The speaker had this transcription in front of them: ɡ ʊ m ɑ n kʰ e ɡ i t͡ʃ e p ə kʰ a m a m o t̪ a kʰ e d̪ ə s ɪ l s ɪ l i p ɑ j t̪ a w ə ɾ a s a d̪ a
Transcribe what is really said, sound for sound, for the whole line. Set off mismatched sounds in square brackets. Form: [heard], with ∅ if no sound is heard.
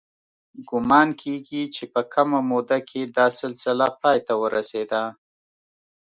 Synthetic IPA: ɡ ʊ m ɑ n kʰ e ɡ i t͡ʃ e p ə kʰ a m a m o [d̪] a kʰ e d̪ [ɑ] s ɪ l s ɪ l [a] p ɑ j t̪ a w ə ɾ a s [e] d̪ a